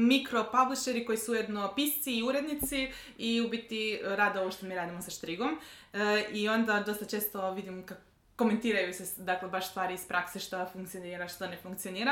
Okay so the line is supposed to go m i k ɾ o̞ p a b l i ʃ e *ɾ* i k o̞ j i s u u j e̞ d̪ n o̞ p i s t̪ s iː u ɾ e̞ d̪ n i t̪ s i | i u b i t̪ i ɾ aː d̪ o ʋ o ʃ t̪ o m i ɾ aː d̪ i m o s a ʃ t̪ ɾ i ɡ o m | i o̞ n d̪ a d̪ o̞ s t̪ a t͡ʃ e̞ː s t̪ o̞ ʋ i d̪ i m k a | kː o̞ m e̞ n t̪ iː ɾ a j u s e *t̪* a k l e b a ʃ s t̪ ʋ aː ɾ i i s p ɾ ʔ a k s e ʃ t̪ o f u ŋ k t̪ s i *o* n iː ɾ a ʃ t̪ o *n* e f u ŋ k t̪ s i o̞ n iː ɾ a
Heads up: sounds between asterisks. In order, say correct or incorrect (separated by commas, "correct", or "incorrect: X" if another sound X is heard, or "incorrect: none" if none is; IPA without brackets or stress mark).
correct, incorrect: d̪, correct, correct